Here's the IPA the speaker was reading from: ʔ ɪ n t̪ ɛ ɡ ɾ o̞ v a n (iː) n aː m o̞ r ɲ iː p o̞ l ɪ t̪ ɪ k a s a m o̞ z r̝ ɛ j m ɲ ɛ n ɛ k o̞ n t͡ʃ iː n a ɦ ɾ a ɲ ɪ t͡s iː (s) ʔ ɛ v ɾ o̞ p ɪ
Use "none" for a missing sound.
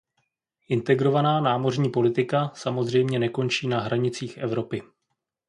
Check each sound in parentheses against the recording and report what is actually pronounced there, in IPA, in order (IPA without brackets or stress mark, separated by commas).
aː, x